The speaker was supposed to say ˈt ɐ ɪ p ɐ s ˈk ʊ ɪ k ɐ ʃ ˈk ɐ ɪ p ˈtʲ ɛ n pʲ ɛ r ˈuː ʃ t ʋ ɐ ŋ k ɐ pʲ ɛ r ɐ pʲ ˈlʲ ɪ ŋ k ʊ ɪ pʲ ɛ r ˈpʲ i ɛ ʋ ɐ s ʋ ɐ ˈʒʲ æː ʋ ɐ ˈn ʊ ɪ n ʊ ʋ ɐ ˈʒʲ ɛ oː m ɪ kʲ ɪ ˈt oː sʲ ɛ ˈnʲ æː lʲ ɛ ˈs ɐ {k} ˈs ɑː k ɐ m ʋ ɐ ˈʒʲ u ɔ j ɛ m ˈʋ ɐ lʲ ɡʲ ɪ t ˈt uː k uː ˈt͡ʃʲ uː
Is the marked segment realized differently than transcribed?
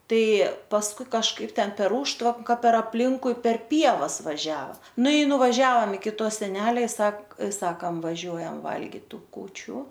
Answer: no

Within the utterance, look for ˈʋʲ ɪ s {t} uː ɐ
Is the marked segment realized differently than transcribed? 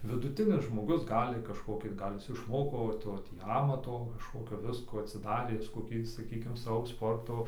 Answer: yes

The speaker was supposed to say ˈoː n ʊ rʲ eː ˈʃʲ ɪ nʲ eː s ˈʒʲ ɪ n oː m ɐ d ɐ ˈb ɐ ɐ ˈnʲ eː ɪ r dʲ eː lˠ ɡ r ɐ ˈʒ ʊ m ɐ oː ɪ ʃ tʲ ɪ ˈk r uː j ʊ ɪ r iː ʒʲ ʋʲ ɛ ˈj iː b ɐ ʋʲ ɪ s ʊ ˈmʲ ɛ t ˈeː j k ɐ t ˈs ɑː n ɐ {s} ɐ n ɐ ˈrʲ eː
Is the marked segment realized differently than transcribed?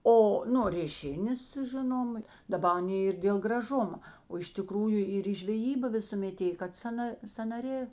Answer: no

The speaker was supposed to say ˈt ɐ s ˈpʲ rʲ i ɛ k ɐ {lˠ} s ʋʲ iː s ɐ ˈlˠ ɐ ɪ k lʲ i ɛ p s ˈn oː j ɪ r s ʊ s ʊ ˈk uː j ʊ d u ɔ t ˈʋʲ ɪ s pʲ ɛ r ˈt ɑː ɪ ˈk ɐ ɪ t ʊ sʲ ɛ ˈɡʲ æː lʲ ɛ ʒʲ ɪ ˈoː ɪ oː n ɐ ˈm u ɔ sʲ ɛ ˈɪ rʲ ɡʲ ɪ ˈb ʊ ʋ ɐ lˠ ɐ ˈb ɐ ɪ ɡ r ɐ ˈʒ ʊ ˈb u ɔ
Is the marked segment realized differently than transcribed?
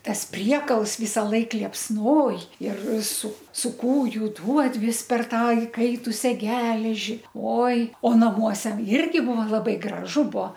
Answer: no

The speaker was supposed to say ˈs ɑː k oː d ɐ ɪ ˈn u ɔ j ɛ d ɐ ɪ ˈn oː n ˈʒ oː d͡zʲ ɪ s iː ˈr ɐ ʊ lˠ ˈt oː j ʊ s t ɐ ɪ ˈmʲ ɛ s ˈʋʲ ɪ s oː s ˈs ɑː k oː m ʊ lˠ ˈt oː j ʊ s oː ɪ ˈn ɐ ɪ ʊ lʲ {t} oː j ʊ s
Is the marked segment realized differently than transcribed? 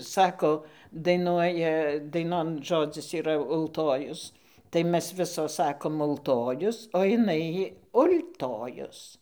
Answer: no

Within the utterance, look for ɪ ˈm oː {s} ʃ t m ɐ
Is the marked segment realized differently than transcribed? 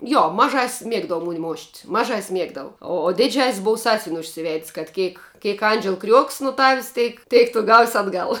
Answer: yes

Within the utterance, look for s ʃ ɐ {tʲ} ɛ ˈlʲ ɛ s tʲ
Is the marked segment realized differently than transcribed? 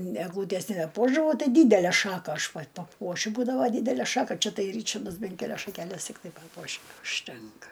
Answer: yes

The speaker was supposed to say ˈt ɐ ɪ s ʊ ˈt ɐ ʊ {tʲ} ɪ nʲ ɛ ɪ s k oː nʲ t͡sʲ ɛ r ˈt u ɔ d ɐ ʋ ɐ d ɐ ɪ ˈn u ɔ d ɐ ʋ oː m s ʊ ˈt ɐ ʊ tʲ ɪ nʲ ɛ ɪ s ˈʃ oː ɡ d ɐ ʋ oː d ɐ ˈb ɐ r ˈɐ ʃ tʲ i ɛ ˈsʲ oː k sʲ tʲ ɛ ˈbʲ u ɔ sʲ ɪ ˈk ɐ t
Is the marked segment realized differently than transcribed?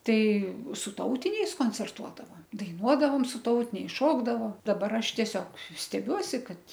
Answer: no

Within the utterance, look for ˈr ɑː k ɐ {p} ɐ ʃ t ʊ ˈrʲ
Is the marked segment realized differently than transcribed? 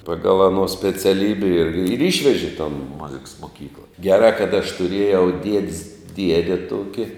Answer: yes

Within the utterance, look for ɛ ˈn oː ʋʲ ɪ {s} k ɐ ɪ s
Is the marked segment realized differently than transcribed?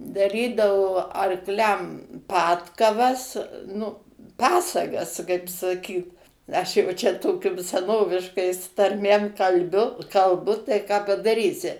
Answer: yes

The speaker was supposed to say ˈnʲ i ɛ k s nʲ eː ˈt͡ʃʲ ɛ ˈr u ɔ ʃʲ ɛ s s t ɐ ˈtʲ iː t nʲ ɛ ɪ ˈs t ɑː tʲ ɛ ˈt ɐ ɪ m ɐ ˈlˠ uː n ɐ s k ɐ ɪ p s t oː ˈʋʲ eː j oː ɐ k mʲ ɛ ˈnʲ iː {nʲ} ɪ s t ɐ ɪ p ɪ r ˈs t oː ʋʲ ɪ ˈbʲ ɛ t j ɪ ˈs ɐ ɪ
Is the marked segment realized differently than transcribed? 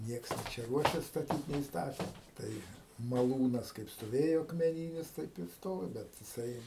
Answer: no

